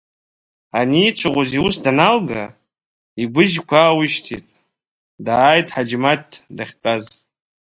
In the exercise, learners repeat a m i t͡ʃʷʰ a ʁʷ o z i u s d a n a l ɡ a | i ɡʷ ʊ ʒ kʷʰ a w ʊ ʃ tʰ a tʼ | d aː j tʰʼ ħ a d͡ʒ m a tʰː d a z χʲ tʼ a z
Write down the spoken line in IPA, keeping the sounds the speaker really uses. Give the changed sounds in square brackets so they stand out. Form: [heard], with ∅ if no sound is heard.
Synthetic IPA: a [n] i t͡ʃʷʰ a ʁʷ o z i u s d a n a l ɡ a | i ɡʷ ʊ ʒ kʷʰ a w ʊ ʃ tʰ [i] tʼ | d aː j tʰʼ ħ a d͡ʒ m a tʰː d a [∅] χʲ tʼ a z